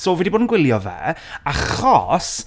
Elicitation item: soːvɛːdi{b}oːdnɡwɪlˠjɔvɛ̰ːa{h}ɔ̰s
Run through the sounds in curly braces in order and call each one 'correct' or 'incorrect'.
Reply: correct, incorrect: χ

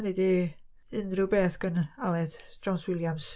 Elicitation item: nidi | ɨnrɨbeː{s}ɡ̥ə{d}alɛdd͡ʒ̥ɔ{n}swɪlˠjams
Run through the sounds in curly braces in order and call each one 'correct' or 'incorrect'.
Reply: incorrect: θ, incorrect: n, correct

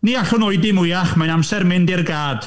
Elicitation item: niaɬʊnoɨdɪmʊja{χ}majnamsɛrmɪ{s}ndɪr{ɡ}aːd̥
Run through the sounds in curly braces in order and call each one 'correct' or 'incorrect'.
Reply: correct, incorrect: none, correct

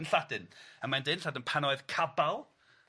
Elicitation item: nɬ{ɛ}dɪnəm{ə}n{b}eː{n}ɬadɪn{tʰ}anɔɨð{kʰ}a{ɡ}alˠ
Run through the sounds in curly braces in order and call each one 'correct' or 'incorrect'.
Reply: incorrect: a, incorrect: a, incorrect: d, correct, incorrect: pʰ, correct, incorrect: b

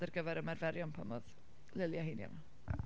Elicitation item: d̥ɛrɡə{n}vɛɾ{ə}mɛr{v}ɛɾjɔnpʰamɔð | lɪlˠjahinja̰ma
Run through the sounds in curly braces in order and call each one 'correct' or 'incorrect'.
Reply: incorrect: none, correct, correct

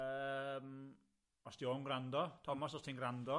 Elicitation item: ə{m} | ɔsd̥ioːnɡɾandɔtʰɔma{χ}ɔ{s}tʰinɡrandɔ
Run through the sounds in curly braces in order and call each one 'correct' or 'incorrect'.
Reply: correct, incorrect: s, correct

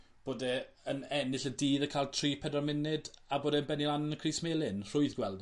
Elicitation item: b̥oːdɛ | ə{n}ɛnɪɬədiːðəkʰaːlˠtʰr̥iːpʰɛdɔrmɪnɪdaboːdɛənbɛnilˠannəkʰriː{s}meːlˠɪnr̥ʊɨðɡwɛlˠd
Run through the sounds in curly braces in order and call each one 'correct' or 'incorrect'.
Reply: correct, correct

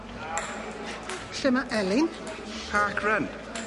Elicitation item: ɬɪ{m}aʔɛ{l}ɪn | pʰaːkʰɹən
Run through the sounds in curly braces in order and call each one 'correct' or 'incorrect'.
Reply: correct, correct

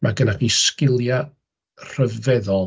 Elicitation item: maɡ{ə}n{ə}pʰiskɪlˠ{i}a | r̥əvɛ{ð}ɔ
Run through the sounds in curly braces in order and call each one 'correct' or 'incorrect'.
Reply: correct, incorrect: a, incorrect: j, correct

